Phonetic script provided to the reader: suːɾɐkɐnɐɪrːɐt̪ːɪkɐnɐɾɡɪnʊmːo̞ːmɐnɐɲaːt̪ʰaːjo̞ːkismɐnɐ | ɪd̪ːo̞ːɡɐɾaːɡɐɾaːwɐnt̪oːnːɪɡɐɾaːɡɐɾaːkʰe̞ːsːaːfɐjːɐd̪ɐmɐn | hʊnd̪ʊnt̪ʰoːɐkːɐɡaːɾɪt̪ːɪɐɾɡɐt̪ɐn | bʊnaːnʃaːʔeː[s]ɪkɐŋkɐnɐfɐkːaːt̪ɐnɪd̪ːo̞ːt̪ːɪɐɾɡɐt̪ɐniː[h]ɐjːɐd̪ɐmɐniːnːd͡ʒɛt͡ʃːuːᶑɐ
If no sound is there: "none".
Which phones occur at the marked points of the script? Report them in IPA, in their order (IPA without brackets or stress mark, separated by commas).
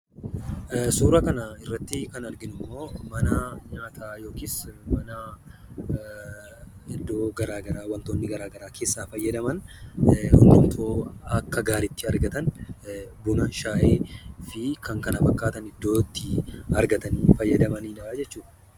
f, f